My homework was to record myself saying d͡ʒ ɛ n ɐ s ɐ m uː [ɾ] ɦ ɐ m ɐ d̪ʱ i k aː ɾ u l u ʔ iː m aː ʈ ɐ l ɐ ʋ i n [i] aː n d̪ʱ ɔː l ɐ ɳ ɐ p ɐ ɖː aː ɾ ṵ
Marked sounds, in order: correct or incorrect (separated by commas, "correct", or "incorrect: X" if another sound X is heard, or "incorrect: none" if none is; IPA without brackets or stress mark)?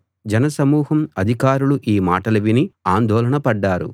incorrect: none, correct